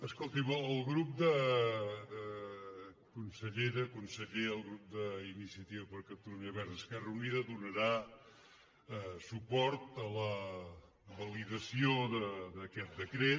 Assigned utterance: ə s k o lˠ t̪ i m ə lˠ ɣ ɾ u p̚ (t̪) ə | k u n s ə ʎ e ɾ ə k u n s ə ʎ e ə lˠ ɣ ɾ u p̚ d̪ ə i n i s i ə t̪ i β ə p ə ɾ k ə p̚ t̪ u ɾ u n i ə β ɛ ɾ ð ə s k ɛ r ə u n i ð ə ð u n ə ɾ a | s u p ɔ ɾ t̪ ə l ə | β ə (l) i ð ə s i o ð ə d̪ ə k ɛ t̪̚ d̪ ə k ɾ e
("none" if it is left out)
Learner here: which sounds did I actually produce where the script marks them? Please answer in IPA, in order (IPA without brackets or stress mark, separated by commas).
d̪, l